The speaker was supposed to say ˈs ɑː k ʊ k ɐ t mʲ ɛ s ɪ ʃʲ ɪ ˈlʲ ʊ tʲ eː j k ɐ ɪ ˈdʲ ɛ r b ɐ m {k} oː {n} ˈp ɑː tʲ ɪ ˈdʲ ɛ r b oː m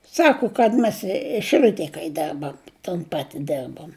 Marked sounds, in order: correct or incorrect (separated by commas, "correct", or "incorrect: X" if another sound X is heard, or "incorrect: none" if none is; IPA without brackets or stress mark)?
incorrect: t, correct